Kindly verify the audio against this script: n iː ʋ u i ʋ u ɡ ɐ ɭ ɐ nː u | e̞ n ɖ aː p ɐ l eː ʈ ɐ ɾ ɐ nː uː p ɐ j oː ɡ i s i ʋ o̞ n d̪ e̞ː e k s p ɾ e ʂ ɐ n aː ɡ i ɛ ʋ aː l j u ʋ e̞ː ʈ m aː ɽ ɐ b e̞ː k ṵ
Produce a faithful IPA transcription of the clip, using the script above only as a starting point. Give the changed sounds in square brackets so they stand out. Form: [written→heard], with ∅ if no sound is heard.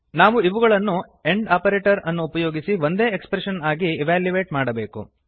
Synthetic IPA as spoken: n [iː→aː] ʋ u i ʋ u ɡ ɐ ɭ ɐ nː u | e̞ [n→ɳ] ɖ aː p ɐ [l→ɾ] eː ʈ ɐ ɾ ɐ nː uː p ɐ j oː ɡ i s i ʋ o̞ n d̪ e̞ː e k s p ɾ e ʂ ɐ n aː ɡ i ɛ ʋ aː l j u ʋ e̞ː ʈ m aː ɽ ɐ b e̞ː k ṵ